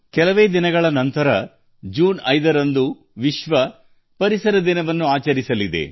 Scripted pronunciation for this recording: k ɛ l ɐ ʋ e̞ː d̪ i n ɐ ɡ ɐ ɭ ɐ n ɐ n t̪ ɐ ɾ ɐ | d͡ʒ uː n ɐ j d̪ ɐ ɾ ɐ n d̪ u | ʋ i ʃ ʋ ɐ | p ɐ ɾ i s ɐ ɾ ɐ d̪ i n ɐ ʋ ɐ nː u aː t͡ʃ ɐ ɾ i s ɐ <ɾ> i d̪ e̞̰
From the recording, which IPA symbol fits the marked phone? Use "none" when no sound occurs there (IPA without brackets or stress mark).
l